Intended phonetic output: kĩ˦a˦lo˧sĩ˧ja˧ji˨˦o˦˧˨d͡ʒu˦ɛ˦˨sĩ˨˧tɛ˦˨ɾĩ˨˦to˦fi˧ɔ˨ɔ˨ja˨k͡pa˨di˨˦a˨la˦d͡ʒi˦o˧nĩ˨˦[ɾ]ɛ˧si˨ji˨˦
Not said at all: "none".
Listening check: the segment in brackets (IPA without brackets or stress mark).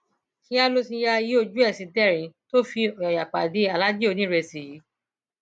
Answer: ɾ